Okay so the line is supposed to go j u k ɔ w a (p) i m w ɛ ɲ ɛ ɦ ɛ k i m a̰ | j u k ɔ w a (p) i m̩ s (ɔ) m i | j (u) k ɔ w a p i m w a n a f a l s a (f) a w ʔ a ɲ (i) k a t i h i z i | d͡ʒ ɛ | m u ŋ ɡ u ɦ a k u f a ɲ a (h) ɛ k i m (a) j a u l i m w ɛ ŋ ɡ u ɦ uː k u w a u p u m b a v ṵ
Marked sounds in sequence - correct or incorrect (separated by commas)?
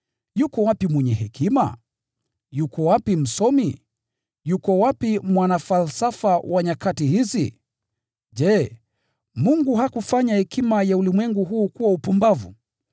correct, correct, correct, correct, correct, incorrect, correct, correct